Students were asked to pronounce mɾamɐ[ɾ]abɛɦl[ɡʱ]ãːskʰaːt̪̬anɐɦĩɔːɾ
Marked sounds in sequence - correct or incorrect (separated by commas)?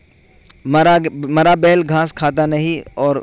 correct, correct